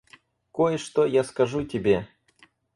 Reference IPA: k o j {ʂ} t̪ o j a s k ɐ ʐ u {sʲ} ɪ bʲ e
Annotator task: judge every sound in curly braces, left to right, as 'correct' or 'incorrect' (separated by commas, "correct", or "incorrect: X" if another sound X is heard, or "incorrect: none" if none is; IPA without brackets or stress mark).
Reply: correct, incorrect: tʲ